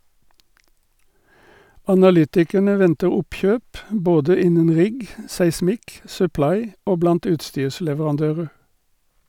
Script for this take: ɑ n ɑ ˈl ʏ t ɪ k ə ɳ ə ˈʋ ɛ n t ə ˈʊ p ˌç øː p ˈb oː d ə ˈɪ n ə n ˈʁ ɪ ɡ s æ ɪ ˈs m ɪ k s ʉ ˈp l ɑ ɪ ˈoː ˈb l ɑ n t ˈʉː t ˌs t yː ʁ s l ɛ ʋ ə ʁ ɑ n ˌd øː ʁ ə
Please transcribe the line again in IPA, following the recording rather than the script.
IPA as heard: ɑ n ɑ ˈl ʏ t ɪ k ə ɳ ə ˈʋ ɛ n t ə ˈʊ p ˌç øː p ˈb oː d ə ˈɪ n ə n ˈʁ ɪ ɡ s æ ɪ ˈs m ɪ k s ʉ ˈp l ɑ ɪ ˈoː ˈb l ɑ n t ˈʉː t ˌs t yː ʁ s l ɛ ʋ ə ʁ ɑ n ˌd øː ʁ ə

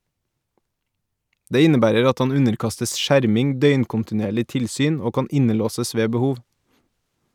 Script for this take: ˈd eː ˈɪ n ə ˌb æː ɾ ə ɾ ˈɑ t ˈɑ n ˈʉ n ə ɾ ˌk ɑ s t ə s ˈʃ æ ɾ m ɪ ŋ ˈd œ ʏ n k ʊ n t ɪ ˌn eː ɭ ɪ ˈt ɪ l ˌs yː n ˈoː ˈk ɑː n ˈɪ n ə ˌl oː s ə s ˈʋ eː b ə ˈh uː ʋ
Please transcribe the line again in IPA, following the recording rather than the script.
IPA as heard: ˈd eː ˈɪ n ə ˌb æː ɾ ə ɾ ˈɑ t ˈɑ n ˈʉ n ə ɾ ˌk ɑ s t ə s ˈʃ æ ɾ m ɪ ŋ ˈd œ ʏ n k ʊ n t ɪ ˌn eː ɭ ɪ ˈt ɪ l ˌs yː n ˈoː ˈk ɑː n ˈɪ n ə ˌl oː s ə s ˈʋ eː b ə ˈh uː ʋ

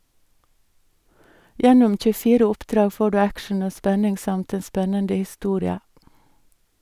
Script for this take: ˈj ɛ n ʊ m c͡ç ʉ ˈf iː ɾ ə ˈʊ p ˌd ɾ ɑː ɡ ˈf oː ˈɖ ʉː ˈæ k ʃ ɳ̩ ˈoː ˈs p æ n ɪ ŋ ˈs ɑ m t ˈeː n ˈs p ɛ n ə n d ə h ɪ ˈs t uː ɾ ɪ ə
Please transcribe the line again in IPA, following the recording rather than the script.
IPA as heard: ˈj ɛ n ʊ m c͡ç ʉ ˈf iː ɾ ə ˈʊ p ˌd ɾ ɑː ɡ ˈf oː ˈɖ ʉː ˈæ k ʃ ɳ̩ ˈoː ˈs p ɛ n ɪ ŋ ˈs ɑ m t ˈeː n ˈs p ɛ n ə n d ə h ɪ ˈs t uː ɾ ɪ ə

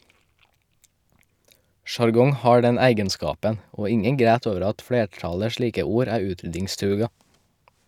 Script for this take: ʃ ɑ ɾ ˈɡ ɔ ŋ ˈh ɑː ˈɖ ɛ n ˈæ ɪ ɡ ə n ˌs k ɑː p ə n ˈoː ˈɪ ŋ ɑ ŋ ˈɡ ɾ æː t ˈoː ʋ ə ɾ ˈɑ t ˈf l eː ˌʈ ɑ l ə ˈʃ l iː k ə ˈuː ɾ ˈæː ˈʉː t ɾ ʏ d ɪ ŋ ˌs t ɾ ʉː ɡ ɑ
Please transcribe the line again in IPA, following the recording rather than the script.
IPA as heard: ʃ ɑ ɾ ˈɡ ɔ ŋ ˈh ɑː ˈɖ ɛ n ˈæ ɪ ɡ ə n ˌs k ɑː p ə n ˈoː ˈɪ ŋ ə ŋ ˈɡ ɾ æː t ˈoː ʋ ə ɾ ˈɑ t ˈf l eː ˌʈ ɑ l ə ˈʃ l iː k ə ˈuː ɾ ˈæː ˈʉː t ɾ ʏ d ɪ ŋ ˌs t ɾ ʉː ɡ ɑ

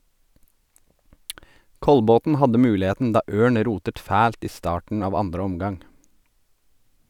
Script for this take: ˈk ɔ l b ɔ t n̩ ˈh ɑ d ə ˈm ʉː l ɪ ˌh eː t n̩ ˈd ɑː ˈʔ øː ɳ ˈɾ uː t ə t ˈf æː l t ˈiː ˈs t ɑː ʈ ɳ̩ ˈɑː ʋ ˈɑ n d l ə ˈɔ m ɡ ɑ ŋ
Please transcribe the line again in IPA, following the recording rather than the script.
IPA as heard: ˈk ɔ l b ɔ t n̩ ˈh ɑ d ə ˈm ʉː l ɪ ˌh eː t n̩ ˈd ɑː ˈʔ øː ɳ ˈɾ uː t ə t ˈf æː l t ˈiː ˈs t ɑː ʈ ɳ̩ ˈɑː ʋ ˈɑ n d ɾ ə ˈɔ m ɡ ɑ ŋ

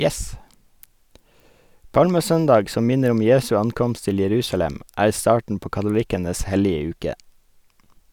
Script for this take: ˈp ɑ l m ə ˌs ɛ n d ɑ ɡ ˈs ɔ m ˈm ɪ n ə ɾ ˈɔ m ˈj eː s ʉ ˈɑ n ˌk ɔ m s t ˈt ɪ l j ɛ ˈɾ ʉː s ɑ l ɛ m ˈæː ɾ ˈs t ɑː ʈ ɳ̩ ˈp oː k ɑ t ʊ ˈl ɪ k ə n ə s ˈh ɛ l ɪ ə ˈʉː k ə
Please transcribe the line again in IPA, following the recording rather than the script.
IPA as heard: ˈp ɑ l m ə ˌs œ n d ɑ ɡ ˈs ɔ m ˈm ɪ n ə ɾ ˈɔ m ˈj eː s ʉ ˈɑ n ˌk ɔ m s t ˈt ɪ l j ɛ ˈɾ ʉː s ɑ l ɛ m ˈæː ɾ ˈs t ɑː ʈ ɳ̩ ˈp oː k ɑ t ʊ ˈl ɪ k ə n ə s ˈh ɛ l ɪ ə ˈʉː k ə

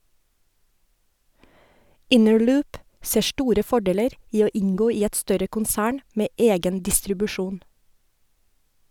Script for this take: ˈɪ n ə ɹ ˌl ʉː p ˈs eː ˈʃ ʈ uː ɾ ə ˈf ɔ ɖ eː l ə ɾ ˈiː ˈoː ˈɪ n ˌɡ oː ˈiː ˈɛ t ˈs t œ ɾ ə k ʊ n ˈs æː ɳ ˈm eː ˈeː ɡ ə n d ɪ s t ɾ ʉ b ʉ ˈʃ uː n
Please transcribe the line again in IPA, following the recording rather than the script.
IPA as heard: ˈɪ n ə ɹ ˌl ʉː p ˈs eː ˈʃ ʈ uː ɾ ə ˈf ɔ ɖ eː l ə ɾ ˈiː ˈoː ˈɪ ŋ ˌɡ oː ˈiː ˈɛ t ˈs t œ ɾ ə k ʊ n ˈs æː ɳ ˈm eː ˈeː ɡ ə n d ɪ s t ɾ ʉ b ʉ ˈʃ uː n

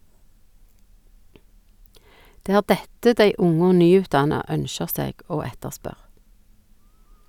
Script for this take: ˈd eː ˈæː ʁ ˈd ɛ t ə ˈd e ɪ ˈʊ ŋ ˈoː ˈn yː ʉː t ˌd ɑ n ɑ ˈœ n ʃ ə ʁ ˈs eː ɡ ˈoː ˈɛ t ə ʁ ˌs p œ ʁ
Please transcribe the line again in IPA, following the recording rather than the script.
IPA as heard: ˈd eː ˈæː ʁ ˈd ɛ t ə ˈd æ ɪ ˈʊ ŋ ˈoː ˈn yː ʉː t ˌd ɑ n ɑ ˈœ n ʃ ə ʁ ˈs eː ɡ ˈoː ˈɛ t ə ʁ ˌs p œ ʁ

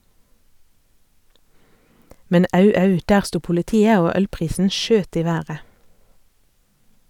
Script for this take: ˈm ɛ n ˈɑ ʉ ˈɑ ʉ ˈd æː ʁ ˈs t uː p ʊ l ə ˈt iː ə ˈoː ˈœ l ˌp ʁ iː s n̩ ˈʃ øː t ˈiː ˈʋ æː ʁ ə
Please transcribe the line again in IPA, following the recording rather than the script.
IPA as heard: ˈm ɛ n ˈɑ ʉ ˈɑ ʉ ˈd æː ʁ ˈs t uː p ʊ l ə ˈt iː ə ˈoː ˈœ l ˌp ʁ iː s n̩ ˈʃ øː t ˈiː ˈʋ æː ʁ ə

